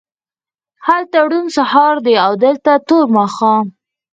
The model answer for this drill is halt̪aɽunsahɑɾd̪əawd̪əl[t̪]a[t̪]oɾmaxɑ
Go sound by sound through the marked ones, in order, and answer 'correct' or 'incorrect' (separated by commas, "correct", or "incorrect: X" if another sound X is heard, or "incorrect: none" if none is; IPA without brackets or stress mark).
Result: correct, correct